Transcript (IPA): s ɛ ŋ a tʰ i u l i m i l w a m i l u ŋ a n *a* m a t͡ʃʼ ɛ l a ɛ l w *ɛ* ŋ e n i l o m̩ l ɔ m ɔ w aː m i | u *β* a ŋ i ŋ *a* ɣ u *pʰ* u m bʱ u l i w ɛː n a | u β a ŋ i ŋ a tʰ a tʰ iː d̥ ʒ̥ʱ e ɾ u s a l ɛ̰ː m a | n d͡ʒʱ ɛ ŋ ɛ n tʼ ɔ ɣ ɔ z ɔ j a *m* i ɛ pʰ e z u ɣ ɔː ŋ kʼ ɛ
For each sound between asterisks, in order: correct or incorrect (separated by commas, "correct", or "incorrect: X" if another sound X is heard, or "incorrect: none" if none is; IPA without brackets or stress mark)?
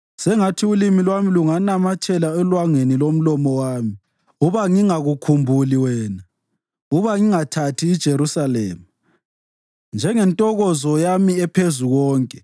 correct, incorrect: a, correct, correct, incorrect: kʰ, correct